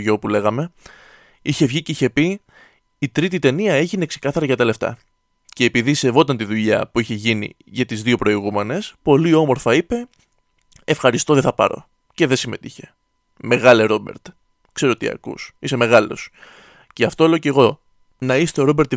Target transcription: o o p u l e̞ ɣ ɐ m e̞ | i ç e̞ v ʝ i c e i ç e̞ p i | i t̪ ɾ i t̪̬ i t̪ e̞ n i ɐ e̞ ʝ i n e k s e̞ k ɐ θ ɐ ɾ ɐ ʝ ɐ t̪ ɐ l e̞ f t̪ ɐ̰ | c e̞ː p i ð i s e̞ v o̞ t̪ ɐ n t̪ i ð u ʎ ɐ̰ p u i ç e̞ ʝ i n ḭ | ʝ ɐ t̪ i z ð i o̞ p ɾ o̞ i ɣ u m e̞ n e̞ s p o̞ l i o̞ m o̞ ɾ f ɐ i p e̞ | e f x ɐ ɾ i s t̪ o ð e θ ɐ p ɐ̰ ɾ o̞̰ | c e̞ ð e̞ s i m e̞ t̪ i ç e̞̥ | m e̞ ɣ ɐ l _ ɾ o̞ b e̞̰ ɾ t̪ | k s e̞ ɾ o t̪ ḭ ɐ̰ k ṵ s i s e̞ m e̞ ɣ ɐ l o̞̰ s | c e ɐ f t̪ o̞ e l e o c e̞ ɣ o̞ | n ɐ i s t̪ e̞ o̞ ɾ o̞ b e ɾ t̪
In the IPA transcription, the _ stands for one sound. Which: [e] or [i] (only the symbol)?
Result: e